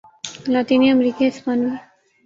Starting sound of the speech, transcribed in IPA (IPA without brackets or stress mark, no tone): l